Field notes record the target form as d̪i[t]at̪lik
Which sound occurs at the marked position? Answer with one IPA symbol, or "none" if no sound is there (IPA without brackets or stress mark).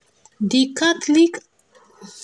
k